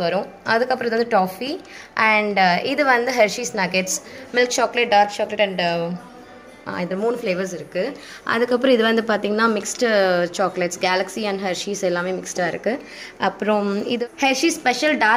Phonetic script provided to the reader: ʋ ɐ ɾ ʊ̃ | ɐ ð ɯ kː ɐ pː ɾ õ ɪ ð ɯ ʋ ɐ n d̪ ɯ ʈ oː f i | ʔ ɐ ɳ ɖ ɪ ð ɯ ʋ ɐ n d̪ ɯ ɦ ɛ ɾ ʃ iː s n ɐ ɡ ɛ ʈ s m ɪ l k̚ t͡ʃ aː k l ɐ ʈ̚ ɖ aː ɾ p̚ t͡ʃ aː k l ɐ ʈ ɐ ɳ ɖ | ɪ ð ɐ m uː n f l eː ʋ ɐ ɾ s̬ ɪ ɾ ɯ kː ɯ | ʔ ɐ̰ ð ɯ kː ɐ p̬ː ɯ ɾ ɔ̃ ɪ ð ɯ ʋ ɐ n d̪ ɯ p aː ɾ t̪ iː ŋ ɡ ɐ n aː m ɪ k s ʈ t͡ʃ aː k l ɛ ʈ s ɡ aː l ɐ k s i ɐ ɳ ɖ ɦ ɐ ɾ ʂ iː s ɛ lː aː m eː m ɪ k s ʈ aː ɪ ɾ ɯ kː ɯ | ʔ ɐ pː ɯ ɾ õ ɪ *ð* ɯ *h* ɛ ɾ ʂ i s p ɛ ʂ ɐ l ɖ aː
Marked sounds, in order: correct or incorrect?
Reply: correct, correct

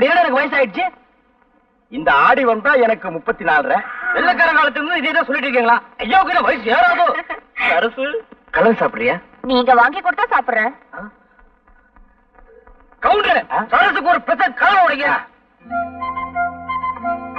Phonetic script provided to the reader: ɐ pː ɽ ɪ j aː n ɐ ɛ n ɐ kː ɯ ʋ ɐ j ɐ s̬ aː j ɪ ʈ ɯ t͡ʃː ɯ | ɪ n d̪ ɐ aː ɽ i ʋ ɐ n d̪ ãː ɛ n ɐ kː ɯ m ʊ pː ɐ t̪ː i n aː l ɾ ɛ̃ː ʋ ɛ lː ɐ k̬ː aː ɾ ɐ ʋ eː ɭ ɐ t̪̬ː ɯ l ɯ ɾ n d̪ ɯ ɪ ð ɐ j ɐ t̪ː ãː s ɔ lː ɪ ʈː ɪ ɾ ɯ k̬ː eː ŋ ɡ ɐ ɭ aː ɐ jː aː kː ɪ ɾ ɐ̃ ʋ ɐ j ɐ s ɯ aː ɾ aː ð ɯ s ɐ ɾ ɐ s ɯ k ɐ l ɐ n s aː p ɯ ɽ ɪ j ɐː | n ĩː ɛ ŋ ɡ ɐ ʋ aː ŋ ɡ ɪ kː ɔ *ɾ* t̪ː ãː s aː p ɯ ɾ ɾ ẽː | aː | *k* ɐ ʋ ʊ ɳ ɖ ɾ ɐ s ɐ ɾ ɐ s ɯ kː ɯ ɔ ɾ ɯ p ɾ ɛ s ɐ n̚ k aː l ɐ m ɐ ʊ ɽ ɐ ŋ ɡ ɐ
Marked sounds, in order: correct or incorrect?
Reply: incorrect, correct

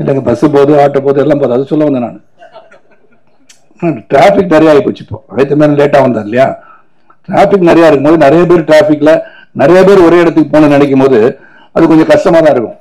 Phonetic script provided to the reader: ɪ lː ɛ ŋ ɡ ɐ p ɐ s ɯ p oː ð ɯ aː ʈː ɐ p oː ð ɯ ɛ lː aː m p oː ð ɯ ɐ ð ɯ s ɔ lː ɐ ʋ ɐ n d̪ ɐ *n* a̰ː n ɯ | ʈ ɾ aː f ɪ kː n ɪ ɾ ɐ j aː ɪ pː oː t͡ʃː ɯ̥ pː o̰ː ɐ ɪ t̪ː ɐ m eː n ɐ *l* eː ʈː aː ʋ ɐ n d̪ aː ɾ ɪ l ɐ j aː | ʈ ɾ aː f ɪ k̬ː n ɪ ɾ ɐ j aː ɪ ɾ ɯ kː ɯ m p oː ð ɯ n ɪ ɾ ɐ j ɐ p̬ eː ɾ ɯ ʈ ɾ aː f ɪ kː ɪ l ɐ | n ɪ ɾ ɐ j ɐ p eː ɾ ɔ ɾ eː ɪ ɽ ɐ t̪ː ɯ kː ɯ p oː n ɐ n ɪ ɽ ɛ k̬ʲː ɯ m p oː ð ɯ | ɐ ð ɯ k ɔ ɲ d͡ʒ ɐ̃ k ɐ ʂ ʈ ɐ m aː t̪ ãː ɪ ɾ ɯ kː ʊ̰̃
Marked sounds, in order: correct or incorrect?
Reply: correct, correct

